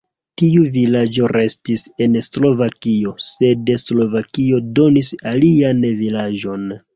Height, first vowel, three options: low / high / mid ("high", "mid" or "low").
high